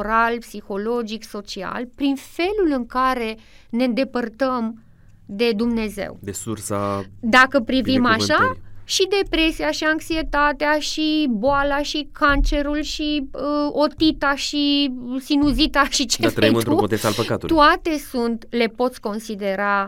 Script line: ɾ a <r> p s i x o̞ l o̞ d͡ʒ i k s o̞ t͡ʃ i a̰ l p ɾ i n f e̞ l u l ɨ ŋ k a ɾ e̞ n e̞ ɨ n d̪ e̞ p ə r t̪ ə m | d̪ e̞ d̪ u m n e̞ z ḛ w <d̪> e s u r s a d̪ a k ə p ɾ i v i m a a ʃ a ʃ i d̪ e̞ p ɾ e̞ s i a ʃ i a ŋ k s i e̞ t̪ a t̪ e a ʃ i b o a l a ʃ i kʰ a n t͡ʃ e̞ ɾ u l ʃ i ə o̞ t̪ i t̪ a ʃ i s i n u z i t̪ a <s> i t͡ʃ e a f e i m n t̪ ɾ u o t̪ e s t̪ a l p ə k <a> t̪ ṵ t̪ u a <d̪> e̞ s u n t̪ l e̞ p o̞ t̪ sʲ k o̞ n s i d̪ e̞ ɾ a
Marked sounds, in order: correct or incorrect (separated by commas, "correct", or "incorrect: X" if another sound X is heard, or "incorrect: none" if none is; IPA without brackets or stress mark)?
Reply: incorrect: l, correct, incorrect: ʃ, correct, incorrect: t̪